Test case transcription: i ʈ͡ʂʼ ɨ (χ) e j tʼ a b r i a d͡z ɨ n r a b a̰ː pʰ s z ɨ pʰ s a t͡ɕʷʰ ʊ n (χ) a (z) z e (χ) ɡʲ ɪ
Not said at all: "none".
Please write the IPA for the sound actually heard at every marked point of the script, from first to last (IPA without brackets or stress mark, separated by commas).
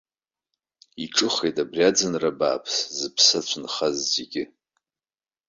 χ, χ, z, none